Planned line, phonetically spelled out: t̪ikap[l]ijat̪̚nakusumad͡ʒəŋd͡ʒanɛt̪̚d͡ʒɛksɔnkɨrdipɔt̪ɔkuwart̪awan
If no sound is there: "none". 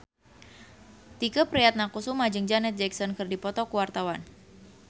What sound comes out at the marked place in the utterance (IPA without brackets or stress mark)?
ɾ